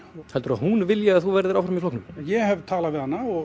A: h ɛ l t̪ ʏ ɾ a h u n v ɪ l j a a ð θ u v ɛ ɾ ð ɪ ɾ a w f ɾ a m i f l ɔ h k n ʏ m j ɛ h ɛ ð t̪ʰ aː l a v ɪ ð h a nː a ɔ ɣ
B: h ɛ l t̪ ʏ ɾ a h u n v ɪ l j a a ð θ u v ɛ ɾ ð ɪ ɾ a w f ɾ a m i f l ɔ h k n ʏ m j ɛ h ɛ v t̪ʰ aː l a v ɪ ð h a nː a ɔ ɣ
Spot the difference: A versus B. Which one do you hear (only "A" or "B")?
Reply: B